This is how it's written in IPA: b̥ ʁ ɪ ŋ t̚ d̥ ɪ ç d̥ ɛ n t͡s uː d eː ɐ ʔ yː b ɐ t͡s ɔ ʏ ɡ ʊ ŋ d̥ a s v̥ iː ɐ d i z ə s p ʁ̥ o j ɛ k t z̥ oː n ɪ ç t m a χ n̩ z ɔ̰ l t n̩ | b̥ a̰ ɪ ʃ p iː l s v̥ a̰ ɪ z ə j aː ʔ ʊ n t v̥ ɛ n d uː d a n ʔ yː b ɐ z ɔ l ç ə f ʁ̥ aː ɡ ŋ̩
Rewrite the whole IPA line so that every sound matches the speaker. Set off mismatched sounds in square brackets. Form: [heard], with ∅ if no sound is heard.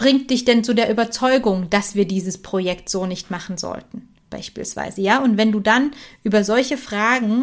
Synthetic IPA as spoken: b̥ ʁ ɪ ŋ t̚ d̥ ɪ ç d̥ ɛ n t͡s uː d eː ɐ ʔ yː b ɐ t͡s ɔ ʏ ɡ ʊ ŋ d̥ a s v̥ iː ɐ d [iː] z ə s p ʁ̥ o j ɛ k t z̥ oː n ɪ ç t m a χ n̩ z ɔ̰ l t n̩ | b̥ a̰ ɪ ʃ p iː l s v̥ a̰ ɪ z ə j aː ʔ ʊ n t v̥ ɛ n d uː d a n ʔ yː b ɐ z ɔ l ç ə f ʁ̥ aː ɡ ŋ̩